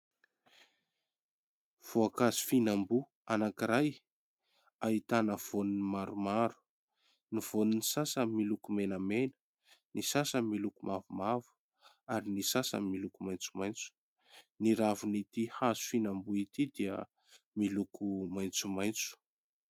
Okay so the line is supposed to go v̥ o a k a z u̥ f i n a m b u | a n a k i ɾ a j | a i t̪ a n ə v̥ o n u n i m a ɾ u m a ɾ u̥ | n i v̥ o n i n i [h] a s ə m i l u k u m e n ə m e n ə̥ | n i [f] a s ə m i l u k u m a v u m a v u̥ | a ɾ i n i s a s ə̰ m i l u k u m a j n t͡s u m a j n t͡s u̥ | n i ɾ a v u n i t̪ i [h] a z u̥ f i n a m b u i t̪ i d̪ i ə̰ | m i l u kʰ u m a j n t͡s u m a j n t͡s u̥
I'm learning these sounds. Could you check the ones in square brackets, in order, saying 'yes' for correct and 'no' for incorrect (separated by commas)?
no, no, yes